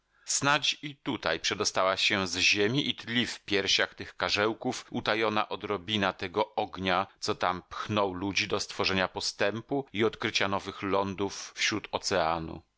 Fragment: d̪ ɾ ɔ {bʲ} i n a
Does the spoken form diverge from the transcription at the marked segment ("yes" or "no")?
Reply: no